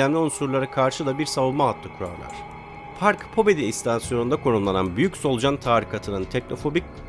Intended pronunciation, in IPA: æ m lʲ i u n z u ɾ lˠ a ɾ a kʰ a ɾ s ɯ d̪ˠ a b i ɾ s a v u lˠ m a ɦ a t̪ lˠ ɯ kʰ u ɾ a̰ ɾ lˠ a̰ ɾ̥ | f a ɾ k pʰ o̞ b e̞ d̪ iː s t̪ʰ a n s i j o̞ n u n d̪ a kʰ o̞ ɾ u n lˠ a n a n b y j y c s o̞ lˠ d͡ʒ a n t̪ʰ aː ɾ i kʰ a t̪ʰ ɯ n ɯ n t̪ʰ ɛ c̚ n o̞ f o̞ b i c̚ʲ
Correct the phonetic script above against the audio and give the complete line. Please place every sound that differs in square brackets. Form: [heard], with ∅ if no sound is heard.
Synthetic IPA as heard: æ m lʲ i u n [s] u ɾ lˠ a ɾ a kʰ a ɾ [ʃ] ɯ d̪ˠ a b i ɾ s a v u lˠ m a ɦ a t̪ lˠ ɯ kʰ u ɾ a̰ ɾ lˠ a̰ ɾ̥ | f a ɾ k pʰ o̞ b e̞ d̪ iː s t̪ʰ a n s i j o̞ n u n d̪ a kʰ o̞ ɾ u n lˠ a n a n b y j y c s o̞ lˠ d͡ʒ a n t̪ʰ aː ɾ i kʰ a t̪ʰ ɯ n ɯ n t̪ʰ ɛ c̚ n o̞ f o̞ b i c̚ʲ

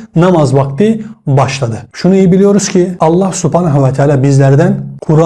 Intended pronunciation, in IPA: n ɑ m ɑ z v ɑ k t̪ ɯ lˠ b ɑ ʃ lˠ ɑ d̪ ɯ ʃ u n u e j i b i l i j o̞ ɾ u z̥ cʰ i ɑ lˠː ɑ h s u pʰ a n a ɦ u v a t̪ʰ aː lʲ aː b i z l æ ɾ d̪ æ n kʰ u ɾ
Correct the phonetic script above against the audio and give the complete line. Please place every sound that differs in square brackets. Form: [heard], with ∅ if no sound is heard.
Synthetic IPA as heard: n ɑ m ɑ z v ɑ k t̪ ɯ [∅] b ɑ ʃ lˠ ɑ d̪ ɯ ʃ u n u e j i b i l i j o̞ ɾ u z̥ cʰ i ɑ lˠː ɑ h s u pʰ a n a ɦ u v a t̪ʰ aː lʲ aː b i z l æ ɾ d̪ æ n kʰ u ɾ

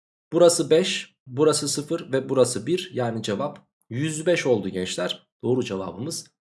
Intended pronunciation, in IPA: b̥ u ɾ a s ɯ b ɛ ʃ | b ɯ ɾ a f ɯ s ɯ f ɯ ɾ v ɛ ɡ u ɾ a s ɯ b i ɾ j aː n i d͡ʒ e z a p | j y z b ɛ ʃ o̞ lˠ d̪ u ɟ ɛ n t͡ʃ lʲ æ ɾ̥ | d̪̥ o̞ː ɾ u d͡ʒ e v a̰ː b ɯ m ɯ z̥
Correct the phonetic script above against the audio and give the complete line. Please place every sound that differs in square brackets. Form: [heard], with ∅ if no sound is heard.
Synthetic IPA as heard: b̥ u ɾ a s ɯ b ɛ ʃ | b [u] ɾ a [s] ɯ s ɯ f ɯ ɾ v ɛ [b] u ɾ a s ɯ b i ɾ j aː n i d͡ʒ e [v] a p | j y z b ɛ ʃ o̞ lˠ d̪ u ɟ ɛ n t͡ʃ lʲ æ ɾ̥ | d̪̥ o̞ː ɾ u d͡ʒ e v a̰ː b ɯ m ɯ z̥

